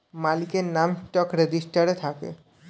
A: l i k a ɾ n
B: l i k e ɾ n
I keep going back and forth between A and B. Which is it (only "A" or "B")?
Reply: B